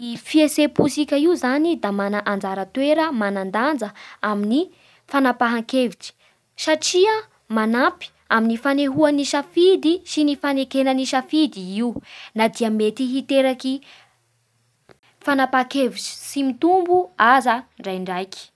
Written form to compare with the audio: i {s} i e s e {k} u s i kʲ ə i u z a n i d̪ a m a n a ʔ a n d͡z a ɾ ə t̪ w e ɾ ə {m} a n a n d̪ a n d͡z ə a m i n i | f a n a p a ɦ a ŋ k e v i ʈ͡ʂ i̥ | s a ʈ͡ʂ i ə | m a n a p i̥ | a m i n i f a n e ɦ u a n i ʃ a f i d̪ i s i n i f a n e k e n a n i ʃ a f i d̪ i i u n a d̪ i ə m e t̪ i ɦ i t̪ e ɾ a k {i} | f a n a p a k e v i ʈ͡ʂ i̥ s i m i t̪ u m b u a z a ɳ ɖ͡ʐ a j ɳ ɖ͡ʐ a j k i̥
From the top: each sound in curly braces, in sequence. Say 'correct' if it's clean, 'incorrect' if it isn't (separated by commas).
incorrect, incorrect, correct, correct